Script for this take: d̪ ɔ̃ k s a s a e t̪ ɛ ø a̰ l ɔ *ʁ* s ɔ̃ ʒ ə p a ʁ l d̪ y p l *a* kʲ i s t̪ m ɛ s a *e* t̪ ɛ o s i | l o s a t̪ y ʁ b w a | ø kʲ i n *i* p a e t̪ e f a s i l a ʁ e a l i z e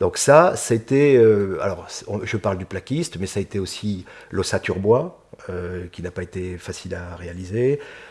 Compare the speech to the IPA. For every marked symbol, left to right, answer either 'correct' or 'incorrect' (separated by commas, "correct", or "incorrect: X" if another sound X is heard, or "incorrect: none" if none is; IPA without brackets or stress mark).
correct, correct, correct, incorrect: a